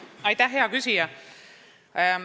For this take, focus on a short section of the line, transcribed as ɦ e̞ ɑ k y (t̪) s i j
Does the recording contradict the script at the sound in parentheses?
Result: yes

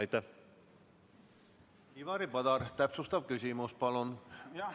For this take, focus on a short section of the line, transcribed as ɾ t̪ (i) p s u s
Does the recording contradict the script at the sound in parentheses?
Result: yes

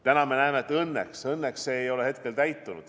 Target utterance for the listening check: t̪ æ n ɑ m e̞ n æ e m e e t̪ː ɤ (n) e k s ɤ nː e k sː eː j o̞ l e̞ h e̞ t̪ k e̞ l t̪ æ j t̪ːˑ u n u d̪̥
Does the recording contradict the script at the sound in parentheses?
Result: yes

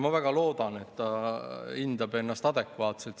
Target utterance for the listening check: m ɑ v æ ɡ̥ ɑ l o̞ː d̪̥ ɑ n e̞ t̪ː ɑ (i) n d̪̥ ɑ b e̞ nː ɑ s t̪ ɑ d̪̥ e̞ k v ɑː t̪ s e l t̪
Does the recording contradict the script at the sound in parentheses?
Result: no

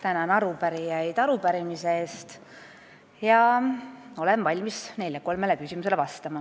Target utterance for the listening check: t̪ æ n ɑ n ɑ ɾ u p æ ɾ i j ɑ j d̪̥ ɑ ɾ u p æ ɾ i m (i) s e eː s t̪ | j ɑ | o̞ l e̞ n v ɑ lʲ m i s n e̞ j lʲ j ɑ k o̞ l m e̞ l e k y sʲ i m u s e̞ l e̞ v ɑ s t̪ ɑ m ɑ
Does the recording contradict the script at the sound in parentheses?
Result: no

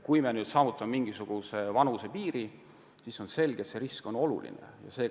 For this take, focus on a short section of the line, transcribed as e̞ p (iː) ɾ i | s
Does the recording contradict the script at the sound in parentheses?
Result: no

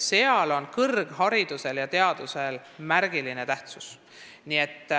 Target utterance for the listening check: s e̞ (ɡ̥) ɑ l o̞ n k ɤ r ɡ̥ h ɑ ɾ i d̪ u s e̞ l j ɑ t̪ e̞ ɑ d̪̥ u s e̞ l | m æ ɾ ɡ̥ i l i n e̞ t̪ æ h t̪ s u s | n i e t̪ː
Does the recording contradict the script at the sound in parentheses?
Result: yes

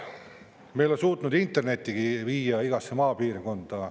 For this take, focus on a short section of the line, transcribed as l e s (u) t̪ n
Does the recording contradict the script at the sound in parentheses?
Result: yes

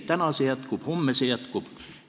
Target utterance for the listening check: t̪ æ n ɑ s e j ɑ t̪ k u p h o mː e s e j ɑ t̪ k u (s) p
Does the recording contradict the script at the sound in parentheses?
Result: yes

